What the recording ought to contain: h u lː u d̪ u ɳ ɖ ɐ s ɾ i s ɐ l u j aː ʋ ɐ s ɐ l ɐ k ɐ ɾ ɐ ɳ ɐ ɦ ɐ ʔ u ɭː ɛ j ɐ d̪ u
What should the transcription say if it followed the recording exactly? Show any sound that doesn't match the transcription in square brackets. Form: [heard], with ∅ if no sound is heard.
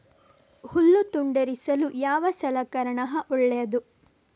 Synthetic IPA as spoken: h u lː u [t̪] u ɳ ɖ ɐ [∅] ɾ i s ɐ l u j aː ʋ ɐ s ɐ l ɐ k ɐ ɾ ɐ ɳ ɐ ɦ ɐ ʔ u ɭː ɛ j ɐ d̪ u